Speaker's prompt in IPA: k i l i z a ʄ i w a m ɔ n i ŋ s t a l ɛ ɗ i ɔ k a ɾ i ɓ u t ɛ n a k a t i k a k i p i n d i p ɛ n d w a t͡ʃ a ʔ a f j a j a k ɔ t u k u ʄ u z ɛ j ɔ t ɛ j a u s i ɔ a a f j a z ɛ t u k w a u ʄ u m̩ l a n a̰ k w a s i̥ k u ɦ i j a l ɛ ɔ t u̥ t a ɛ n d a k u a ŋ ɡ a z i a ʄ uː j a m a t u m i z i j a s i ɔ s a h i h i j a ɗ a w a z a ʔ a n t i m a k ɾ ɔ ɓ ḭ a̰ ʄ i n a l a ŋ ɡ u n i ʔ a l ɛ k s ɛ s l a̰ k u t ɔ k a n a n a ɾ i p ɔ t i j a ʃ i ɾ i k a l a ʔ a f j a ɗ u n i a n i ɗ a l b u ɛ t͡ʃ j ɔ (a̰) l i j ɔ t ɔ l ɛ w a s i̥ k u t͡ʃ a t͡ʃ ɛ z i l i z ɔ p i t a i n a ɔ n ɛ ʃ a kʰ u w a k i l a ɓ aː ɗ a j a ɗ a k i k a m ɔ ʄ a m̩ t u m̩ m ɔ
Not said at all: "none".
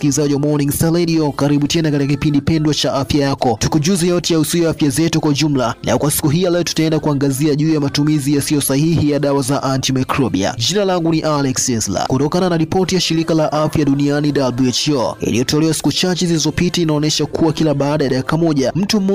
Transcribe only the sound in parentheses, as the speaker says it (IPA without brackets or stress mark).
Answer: ḭ